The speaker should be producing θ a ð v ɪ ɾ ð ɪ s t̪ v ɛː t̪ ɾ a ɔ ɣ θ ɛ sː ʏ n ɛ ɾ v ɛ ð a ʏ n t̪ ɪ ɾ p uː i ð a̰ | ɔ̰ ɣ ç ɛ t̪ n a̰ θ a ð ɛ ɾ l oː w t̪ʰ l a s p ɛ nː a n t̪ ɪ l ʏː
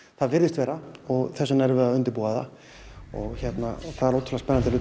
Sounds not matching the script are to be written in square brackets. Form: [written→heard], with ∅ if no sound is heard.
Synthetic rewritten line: θ a ð v ɪ ɾ ð ɪ s t̪ v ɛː [t̪→∅] ɾ a ɔ ɣ θ ɛ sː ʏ n ɛ ɾ v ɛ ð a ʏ n t̪ ɪ ɾ p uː [i→a] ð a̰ | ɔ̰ ɣ ç ɛ t̪ n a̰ θ a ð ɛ ɾ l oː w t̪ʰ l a s p ɛ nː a n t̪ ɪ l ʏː